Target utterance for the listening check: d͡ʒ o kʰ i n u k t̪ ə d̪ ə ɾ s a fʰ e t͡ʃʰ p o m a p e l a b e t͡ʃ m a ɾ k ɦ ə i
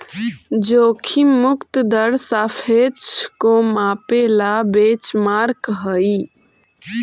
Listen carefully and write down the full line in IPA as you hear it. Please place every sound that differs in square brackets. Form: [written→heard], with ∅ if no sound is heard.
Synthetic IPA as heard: d͡ʒ o kʰ i [n→m] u k t̪ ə d̪ ə ɾ s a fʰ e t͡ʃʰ [p→k] o m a p e l a b e t͡ʃ m a ɾ k ɦ ə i